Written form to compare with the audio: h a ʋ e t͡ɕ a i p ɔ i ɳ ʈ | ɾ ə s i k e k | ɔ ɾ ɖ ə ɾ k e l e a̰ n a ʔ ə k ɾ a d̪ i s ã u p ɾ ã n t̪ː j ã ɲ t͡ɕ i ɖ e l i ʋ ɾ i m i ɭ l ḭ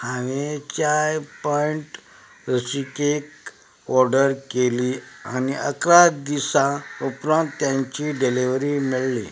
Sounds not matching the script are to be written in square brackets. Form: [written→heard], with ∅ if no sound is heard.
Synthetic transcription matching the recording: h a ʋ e t͡ɕ a [i→j] p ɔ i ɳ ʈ | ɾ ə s i k e k | ɔ ɾ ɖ ə ɾ k e l [e→i] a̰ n [a→i] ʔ ə k ɾ a d̪ i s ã u p ɾ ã n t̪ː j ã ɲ t͡ɕ i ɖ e l i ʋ ɾ i m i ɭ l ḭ